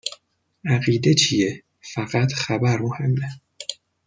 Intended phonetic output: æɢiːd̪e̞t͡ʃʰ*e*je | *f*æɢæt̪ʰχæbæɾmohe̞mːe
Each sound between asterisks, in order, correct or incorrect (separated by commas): incorrect, correct